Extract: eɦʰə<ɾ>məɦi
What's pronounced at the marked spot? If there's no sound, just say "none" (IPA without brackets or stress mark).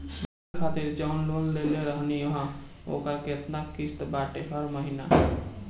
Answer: ɾ